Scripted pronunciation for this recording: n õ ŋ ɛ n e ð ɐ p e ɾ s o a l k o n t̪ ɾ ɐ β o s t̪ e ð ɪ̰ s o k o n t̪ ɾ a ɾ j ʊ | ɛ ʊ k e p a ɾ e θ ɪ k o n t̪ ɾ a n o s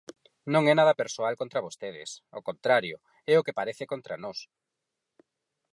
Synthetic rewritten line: n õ ŋ ɛ n a ð ɐ p e ɾ s o a l k o n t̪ ɾ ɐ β o s t̪ e ð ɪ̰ s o k o n t̪ ɾ a ɾ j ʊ | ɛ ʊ k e p a ɾ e θ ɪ k o n t̪ ɾ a n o s

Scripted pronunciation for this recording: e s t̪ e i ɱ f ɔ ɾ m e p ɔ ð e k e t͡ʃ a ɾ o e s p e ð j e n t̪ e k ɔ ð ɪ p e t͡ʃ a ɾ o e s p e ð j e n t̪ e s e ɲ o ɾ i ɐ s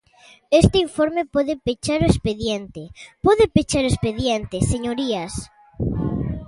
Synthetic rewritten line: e s t̪ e i ɱ f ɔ ɾ m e p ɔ ð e p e t͡ʃ a ɾ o e s p e ð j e n t̪ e p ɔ ð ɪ p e t͡ʃ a ɾ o e s p e ð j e n t̪ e s e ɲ o ɾ i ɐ s

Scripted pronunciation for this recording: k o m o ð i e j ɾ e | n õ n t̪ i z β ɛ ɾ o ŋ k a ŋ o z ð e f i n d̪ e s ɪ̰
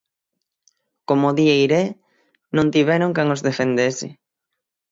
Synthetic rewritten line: k o m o ð i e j ɾ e | n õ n t̪ i β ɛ ɾ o ŋ k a ŋ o z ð e f e n d̪ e s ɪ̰

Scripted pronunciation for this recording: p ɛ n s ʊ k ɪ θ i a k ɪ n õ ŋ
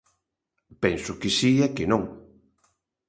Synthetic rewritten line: p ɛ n s ʊ k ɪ s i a k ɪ n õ ŋ

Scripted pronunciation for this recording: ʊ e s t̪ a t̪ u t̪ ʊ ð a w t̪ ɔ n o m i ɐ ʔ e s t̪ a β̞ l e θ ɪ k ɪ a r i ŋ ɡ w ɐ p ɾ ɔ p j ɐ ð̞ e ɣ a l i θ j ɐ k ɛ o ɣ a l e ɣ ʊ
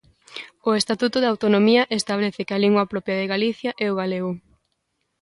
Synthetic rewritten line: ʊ e s t̪ a t̪ u t̪ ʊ ð a w t̪ o n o m i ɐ ʔ e s t̪ a β̞ l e θ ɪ k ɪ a l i ŋ ɡ w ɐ p ɾ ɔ p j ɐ ð̞ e ɣ a l i θ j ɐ ʔ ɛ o ɣ a l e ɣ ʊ

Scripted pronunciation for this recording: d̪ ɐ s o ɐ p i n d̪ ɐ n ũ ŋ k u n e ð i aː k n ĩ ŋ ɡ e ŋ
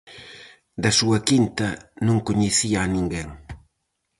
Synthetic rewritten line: d̪ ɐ s u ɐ k i n t̪ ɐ n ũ ŋ k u ɲ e θ i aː n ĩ ŋ ɡ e ŋ

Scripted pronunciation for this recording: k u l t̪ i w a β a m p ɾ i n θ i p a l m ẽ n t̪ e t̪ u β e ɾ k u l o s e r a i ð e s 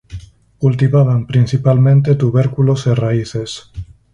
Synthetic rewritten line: k u l t̪ i β a β a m p ɾ i n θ i p a l m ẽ n t̪ e t̪ u β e ɾ k u l o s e r a i θ e s

